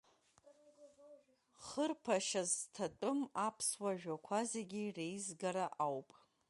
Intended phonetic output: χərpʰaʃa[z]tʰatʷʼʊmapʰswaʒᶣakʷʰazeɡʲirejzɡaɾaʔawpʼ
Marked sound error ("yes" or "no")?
no